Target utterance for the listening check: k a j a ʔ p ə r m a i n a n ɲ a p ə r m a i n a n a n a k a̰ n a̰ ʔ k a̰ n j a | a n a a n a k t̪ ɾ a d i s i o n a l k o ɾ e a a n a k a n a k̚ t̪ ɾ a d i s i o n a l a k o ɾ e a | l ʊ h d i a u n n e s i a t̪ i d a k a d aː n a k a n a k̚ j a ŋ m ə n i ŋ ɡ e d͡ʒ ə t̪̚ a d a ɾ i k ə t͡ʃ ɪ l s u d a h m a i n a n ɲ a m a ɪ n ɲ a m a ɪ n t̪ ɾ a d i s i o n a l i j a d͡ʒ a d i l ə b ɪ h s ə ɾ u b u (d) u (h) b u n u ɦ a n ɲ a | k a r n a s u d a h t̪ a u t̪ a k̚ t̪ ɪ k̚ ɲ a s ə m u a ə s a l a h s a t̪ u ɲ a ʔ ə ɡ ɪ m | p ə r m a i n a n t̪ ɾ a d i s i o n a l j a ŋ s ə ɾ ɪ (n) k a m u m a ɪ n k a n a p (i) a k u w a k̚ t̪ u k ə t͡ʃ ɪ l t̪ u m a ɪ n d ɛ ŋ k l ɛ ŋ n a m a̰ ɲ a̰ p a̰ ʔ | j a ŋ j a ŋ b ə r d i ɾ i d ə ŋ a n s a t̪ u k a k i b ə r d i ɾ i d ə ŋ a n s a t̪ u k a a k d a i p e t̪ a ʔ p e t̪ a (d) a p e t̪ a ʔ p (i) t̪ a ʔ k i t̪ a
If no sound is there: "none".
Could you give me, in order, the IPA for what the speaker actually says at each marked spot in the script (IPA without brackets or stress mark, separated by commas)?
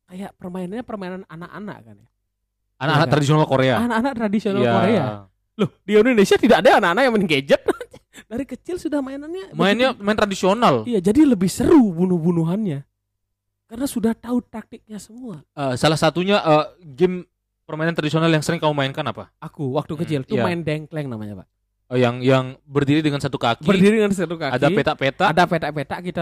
n, h, ŋ, a, d, e